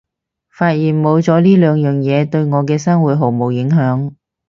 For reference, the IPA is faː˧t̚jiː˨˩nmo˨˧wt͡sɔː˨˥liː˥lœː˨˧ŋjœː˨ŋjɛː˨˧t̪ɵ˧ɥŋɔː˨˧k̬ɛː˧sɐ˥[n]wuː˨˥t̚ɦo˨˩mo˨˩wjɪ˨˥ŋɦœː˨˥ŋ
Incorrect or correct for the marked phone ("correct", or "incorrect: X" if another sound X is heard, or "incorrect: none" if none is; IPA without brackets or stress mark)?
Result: incorrect: ŋ